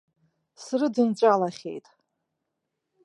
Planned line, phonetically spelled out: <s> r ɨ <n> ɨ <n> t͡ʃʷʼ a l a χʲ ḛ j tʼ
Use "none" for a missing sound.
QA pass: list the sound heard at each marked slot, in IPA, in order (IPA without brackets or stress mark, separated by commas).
s, d, n